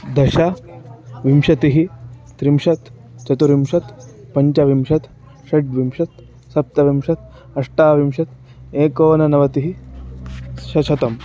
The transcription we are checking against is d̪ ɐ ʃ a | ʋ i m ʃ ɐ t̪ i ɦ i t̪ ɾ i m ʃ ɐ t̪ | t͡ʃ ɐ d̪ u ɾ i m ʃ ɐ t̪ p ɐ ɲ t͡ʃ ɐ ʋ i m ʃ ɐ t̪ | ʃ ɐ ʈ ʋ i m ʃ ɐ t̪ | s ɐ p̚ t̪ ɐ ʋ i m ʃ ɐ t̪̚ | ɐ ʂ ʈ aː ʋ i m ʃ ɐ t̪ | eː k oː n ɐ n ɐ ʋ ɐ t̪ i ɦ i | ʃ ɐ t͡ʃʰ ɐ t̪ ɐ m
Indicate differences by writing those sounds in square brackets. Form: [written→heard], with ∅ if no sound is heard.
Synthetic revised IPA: d̪ ɐ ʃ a | ʋ i m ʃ ɐ t̪ i ɦ i t̪ ɾ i m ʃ ɐ t̪ | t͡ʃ ɐ [d̪→t̪] u ɾ i m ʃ ɐ t̪ p ɐ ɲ t͡ʃ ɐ ʋ i m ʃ ɐ t̪ | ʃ ɐ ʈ ʋ i m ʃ ɐ t̪ | s ɐ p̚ t̪ ɐ ʋ i m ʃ ɐ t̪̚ | ɐ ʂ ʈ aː ʋ i m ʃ ɐ t̪ | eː k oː n ɐ n ɐ ʋ ɐ t̪ i ɦ i | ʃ ɐ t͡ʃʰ ɐ t̪ ɐ m